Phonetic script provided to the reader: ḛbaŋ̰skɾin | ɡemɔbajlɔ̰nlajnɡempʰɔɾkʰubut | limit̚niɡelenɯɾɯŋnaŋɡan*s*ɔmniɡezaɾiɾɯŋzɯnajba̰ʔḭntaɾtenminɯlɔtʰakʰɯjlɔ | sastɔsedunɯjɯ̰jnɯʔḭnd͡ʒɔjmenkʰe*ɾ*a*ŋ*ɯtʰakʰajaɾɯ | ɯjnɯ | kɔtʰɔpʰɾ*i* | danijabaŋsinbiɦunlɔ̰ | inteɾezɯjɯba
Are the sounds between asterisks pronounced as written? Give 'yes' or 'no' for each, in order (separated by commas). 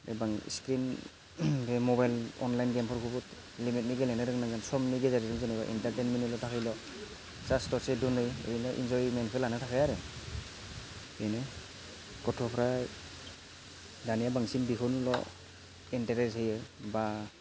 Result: yes, no, no, no